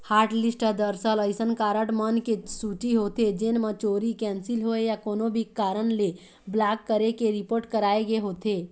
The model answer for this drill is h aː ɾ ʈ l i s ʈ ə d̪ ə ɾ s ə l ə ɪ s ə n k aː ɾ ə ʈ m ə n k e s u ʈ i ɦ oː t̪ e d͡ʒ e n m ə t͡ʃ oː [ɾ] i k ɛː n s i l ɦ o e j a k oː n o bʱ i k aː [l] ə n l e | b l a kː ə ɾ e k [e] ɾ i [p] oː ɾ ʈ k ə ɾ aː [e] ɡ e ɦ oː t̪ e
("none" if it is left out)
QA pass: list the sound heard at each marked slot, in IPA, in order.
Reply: ɾ, ɾ, e, p, e

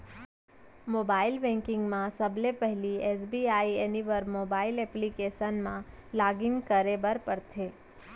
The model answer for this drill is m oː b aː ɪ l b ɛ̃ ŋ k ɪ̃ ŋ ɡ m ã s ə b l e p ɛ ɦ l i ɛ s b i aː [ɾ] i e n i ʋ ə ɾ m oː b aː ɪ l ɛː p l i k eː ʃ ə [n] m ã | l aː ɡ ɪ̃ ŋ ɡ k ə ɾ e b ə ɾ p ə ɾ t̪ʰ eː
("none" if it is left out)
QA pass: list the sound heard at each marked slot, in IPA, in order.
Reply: none, n

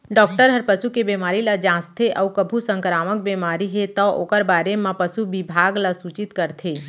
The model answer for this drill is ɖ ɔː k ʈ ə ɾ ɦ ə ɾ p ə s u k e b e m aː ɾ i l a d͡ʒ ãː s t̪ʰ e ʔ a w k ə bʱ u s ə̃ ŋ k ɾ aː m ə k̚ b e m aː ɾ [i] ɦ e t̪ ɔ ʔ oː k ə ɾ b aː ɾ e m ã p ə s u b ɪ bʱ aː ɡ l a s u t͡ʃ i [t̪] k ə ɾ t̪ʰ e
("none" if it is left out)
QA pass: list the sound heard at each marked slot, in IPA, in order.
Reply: i, t̪

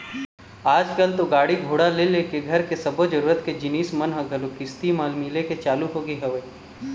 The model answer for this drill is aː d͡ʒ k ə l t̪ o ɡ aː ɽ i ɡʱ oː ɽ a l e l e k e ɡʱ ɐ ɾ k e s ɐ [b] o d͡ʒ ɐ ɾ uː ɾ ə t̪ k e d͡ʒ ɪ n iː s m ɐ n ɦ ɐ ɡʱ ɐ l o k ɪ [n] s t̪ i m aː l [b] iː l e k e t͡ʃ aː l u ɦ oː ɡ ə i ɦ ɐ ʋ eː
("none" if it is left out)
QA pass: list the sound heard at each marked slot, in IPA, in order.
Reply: b, none, m

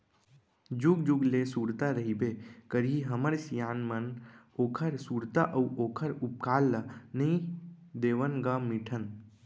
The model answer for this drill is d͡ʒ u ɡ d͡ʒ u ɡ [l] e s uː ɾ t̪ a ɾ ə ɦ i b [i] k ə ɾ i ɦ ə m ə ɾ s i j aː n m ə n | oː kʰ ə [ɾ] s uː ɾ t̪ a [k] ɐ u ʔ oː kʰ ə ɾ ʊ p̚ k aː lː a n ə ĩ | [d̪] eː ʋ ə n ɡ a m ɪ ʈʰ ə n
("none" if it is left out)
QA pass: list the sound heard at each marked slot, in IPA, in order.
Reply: l, e, ɾ, ʔ, d̪

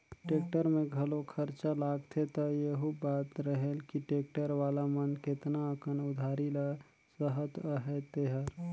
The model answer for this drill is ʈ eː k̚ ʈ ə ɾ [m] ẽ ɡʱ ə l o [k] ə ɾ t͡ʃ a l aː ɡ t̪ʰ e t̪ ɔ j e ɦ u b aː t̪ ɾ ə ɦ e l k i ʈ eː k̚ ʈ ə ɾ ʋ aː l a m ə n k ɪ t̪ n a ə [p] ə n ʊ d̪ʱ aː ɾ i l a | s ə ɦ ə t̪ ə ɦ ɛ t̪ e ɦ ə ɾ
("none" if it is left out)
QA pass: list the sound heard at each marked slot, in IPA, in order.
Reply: m, kʰ, k

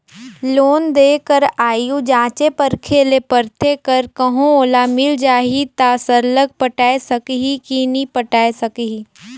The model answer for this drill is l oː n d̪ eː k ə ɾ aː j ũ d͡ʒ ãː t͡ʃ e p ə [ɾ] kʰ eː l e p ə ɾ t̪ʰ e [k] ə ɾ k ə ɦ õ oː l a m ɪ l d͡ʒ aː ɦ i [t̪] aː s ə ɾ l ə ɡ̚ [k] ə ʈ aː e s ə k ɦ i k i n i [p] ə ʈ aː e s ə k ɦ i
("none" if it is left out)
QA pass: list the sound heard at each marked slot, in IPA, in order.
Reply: ɾ, k, t̪, p, p

